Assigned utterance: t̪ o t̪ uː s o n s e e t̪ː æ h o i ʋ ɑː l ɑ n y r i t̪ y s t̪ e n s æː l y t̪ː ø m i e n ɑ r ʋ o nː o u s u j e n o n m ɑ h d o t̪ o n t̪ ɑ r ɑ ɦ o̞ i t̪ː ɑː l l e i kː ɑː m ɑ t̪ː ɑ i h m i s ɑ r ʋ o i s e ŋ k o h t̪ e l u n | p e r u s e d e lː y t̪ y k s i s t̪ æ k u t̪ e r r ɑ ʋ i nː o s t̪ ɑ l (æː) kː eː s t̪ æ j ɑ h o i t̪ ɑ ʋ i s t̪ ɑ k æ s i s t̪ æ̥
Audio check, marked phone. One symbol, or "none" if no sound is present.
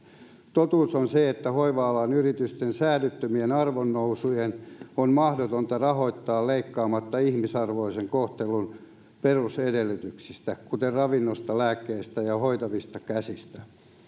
æː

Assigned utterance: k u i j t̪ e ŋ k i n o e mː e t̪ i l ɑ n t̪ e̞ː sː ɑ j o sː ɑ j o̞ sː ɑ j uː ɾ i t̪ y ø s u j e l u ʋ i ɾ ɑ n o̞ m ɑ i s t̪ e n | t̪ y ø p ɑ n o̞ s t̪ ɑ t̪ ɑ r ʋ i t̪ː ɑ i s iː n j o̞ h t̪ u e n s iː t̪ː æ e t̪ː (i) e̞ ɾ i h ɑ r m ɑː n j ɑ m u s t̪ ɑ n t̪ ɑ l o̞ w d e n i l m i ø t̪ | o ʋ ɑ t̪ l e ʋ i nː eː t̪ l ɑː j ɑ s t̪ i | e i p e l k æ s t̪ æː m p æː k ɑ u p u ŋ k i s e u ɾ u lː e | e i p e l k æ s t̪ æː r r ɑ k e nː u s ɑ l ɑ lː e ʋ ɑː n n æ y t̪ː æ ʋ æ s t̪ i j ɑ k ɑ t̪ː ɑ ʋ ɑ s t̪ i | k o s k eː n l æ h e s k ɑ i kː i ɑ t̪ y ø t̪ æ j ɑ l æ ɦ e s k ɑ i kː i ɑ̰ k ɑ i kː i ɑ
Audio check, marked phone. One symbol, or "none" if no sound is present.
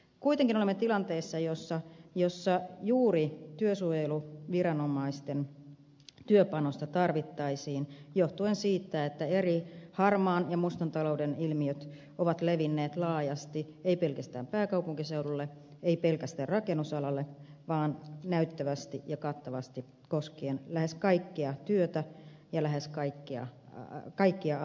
æ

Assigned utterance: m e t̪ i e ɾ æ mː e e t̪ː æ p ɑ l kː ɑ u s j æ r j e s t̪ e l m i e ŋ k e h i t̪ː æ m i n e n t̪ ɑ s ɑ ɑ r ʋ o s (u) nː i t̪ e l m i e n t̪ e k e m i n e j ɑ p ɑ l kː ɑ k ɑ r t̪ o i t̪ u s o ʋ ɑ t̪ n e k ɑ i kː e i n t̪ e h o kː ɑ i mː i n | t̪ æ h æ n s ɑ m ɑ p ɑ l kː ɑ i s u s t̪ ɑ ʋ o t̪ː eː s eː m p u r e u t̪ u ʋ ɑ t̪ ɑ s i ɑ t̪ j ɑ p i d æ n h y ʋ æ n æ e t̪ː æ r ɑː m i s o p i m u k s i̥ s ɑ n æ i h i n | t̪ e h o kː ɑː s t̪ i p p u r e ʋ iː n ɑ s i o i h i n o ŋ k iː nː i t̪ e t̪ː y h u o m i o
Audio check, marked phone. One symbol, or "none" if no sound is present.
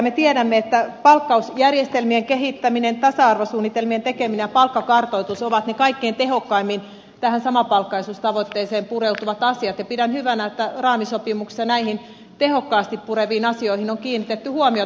uː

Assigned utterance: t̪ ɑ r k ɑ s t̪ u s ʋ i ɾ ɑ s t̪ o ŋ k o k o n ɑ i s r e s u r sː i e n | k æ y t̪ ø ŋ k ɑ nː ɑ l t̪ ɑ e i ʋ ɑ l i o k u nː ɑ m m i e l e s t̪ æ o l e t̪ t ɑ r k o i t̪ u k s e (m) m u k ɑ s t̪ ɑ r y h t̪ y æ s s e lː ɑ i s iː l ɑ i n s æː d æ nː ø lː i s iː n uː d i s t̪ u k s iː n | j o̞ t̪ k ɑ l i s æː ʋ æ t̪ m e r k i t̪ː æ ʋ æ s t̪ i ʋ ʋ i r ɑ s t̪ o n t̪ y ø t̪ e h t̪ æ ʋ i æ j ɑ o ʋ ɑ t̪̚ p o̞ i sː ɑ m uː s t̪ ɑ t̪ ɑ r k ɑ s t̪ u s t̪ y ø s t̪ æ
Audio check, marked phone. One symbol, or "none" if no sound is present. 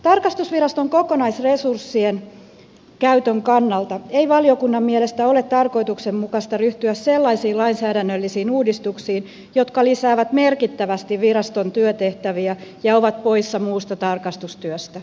m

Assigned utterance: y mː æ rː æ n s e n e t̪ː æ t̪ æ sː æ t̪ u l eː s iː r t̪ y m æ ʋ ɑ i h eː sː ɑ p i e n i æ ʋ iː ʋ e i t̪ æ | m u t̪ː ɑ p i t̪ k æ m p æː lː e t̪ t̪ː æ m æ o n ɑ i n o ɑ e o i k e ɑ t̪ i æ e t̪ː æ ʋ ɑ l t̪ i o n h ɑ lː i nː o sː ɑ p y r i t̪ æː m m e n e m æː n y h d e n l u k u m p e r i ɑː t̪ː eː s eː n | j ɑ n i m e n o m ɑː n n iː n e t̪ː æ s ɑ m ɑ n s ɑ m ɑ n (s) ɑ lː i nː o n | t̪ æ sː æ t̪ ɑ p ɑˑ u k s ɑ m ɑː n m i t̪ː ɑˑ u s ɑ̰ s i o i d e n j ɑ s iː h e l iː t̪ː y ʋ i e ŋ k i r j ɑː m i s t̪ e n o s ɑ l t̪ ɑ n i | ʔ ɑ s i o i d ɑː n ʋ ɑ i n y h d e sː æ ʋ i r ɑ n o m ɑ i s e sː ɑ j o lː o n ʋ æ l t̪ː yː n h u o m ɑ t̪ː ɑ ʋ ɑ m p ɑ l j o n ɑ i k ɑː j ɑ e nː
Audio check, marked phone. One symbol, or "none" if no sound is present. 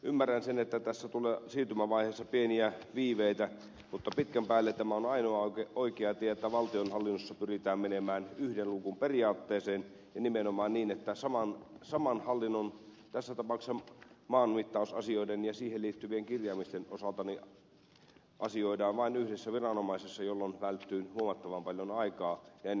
h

